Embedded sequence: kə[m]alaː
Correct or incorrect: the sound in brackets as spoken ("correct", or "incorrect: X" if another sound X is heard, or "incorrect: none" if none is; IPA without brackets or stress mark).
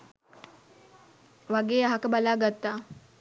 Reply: incorrect: b